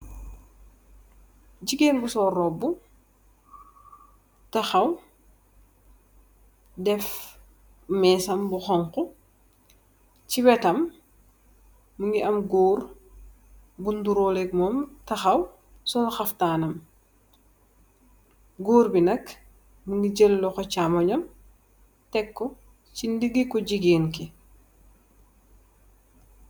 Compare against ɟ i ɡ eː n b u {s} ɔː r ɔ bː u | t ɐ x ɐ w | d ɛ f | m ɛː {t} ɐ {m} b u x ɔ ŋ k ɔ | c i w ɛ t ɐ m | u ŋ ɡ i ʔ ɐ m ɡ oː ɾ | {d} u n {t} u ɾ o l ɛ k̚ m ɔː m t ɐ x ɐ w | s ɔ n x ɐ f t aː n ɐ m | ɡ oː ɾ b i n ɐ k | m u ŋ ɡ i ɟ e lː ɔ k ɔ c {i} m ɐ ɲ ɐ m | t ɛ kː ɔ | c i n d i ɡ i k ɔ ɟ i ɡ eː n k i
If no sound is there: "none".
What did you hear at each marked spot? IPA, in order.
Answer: s, s, m, b, d, a

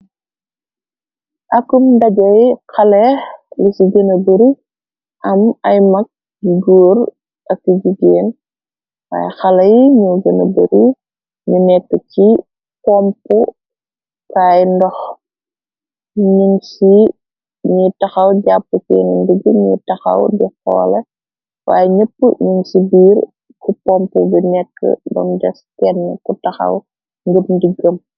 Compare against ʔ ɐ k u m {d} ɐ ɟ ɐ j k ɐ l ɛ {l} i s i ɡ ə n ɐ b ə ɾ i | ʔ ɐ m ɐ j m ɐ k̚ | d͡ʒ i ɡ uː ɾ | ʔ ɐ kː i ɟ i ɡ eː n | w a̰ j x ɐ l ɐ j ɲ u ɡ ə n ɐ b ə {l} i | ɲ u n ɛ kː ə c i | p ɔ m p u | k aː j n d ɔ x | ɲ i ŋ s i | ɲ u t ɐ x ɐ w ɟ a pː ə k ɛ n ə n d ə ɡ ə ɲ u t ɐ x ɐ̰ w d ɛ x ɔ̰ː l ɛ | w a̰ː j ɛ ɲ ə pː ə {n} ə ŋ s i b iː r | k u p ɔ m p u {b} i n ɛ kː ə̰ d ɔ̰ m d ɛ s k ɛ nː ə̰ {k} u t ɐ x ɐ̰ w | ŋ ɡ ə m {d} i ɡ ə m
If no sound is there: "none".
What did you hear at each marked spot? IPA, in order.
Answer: d, l, ɾ, ɲ, b, k, d

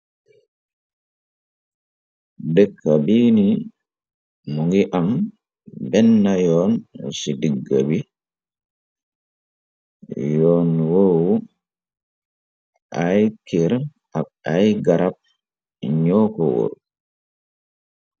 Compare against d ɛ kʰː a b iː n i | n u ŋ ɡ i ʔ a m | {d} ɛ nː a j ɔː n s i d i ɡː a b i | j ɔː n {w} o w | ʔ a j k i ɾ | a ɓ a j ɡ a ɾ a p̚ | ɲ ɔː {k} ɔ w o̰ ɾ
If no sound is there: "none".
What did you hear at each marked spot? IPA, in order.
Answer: b, w, k

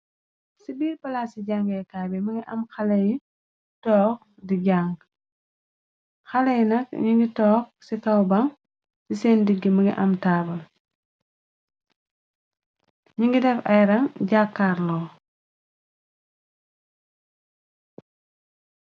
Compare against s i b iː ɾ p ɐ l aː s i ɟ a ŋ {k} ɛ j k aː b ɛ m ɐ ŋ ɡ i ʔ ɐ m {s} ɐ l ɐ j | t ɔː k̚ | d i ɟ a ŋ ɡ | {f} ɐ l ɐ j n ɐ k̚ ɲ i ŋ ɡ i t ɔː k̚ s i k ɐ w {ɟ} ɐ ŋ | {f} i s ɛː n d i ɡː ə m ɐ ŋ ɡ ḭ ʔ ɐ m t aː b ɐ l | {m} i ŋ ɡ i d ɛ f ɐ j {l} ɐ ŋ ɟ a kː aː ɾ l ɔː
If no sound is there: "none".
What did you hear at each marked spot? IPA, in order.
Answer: ɡ, x, x, b, s, ɲ, ɾ

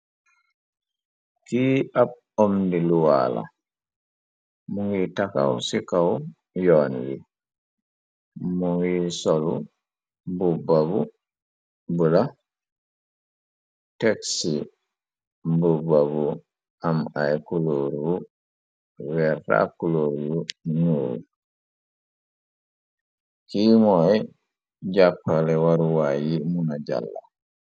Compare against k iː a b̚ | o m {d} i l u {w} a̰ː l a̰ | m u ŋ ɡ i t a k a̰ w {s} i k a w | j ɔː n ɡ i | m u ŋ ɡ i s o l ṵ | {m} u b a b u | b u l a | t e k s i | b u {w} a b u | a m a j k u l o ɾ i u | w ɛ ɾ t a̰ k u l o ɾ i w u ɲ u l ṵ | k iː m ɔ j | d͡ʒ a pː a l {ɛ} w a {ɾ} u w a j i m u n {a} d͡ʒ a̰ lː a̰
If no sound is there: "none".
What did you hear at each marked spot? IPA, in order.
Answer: d, w, s, b, b, ɛ, ɾ, a

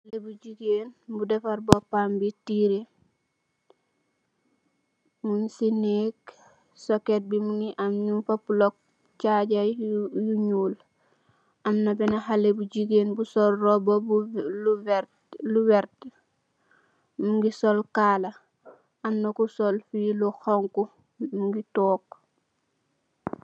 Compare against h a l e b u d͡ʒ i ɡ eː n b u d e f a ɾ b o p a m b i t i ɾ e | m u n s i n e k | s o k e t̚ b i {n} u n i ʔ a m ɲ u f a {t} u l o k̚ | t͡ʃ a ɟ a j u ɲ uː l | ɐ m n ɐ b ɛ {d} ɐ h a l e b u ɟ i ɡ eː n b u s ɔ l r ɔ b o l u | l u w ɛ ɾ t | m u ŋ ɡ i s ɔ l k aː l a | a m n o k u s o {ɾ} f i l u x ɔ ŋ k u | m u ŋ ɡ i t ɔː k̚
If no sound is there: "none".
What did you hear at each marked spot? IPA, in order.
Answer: m, p, n, l

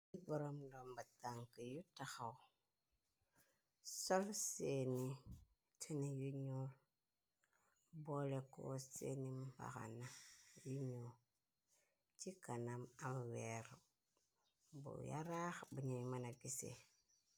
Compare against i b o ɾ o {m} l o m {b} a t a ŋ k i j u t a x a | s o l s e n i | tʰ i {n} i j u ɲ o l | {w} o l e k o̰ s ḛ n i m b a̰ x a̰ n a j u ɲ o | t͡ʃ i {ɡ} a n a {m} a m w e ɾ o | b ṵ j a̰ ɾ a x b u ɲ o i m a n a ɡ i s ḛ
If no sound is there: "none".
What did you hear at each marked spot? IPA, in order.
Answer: m, b, n, b, k, m

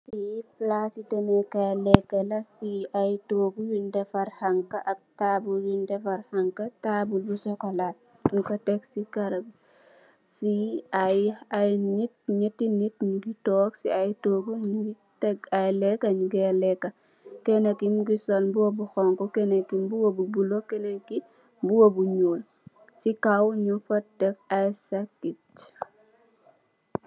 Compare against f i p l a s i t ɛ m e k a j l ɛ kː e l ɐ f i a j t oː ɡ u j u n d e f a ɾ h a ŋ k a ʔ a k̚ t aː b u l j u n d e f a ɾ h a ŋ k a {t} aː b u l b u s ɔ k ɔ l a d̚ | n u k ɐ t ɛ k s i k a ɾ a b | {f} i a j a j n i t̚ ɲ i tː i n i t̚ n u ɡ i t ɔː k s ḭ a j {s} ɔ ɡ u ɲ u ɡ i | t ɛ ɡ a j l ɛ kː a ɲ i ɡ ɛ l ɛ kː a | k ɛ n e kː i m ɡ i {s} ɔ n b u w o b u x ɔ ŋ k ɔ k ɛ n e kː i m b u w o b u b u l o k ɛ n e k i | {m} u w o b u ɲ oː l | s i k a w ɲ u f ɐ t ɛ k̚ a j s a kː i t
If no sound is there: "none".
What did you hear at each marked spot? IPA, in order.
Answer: t, f, t, s, b

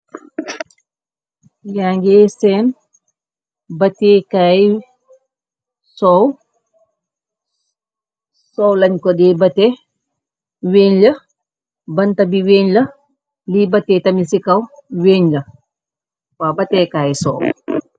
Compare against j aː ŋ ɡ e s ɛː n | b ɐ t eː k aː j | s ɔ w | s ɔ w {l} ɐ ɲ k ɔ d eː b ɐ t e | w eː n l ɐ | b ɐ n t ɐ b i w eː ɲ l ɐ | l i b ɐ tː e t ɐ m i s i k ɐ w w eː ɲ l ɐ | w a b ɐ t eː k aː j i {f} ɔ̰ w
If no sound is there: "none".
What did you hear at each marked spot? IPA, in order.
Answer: l, s

